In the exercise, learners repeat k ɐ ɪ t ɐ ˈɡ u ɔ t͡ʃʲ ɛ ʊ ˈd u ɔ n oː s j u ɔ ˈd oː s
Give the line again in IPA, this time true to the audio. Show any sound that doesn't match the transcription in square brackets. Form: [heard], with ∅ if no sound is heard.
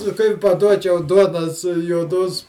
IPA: k ɐ ɪ [p] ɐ [ˈd] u ɔ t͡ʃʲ ɛ ʊ ˈd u ɔ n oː s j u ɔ ˈd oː s